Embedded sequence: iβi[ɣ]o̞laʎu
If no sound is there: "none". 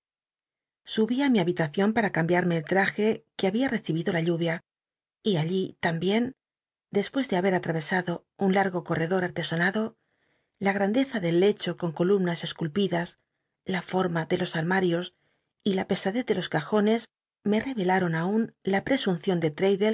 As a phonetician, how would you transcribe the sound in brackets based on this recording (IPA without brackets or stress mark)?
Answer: ð